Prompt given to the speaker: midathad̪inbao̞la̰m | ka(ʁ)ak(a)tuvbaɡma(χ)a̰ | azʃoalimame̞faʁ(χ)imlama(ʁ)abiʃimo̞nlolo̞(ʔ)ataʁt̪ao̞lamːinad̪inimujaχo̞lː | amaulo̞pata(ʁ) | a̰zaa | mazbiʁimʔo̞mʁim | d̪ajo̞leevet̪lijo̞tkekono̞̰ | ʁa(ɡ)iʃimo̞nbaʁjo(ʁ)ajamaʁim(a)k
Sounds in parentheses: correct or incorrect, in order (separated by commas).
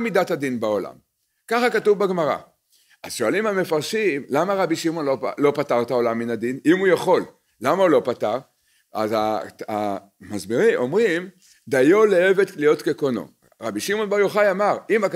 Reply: incorrect, correct, incorrect, incorrect, correct, incorrect, correct, incorrect, incorrect, correct